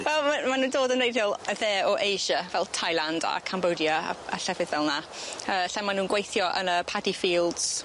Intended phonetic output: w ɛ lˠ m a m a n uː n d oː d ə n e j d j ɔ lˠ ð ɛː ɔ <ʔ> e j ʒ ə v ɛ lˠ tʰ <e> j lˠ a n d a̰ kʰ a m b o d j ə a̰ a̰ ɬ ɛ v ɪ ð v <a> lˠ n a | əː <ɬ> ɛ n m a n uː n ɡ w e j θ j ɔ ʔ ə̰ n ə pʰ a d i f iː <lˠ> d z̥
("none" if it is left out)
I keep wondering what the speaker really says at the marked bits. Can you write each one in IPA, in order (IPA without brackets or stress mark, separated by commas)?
ʔ, a, ɛ, ɬ, lˠ